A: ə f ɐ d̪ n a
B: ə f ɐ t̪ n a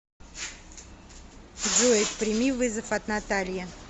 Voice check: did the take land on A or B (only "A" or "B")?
B